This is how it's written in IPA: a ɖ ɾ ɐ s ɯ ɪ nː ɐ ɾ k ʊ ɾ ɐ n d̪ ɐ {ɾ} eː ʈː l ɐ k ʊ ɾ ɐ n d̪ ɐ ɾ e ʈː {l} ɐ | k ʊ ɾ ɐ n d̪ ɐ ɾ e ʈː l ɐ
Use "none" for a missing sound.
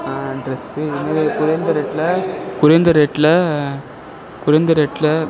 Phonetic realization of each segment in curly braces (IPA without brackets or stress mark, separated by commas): ɾ, l